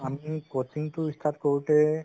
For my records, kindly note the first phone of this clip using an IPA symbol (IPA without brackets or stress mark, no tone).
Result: a